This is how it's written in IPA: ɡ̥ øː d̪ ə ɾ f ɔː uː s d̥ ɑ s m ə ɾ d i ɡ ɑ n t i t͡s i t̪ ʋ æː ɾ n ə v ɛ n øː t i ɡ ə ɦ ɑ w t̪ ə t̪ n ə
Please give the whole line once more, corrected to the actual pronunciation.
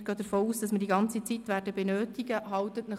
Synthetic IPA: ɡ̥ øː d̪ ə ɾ f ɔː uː s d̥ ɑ s m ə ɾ d i ɡ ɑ n t͡s i t͡s i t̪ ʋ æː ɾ d ə b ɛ n øː t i ɡ ə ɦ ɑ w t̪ ə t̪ n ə